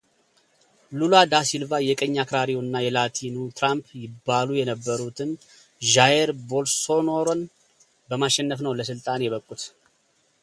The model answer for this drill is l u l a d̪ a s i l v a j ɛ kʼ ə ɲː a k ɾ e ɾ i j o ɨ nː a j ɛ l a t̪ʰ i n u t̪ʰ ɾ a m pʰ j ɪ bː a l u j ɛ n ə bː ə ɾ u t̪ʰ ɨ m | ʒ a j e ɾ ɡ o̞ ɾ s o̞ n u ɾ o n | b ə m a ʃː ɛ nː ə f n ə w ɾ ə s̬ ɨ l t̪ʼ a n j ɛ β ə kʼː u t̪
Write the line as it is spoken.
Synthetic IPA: l u l a d̪ a s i l v a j ɛ kʼ ə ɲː a k ɾ a ɾ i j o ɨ nː a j ɛ l a t̪ʰ i n u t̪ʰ ɾ a m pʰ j ɪ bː a l u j ɛ n ə bː ə ɾ u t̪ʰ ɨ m | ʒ a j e ɾ b o̞ l s o̞ n o ɾ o n | b ə m a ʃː ɛ nː ə f n ə w l ə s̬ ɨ l t̪ʼ a n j ɛ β ə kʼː u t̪